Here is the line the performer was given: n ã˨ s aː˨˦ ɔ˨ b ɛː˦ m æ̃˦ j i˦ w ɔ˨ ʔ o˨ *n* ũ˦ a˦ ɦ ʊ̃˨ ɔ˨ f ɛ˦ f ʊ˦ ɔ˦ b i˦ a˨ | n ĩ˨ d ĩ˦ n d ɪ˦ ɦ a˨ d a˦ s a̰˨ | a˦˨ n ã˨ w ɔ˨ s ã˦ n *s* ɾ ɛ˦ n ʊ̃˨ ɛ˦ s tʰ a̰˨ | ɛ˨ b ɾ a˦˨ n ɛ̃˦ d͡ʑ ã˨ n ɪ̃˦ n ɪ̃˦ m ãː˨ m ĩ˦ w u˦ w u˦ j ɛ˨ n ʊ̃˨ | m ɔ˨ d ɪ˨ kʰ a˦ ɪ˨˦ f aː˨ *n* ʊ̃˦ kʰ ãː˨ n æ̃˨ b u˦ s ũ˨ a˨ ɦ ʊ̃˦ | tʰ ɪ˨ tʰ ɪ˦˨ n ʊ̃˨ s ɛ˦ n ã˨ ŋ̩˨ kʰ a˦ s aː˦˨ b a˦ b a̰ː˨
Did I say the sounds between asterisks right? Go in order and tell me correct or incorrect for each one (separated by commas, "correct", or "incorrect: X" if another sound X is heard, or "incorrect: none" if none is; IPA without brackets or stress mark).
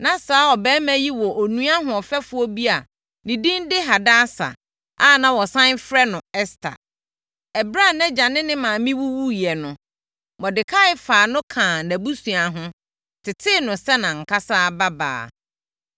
correct, incorrect: f, correct